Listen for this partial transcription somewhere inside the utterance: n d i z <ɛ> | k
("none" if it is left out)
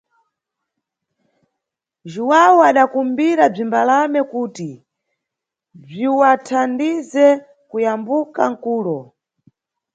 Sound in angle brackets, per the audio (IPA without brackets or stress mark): ɛ